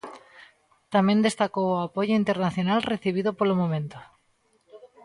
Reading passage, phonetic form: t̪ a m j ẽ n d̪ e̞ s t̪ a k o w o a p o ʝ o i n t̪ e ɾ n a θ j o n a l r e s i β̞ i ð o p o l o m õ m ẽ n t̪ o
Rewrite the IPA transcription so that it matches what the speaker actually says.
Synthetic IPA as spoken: t̪ a m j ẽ n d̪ e̞ s t̪ a k o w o a p o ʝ o i n t̪ e ɾ n a θ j o n a l r e θ i β̞ i ð o p o l o m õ m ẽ n t̪ o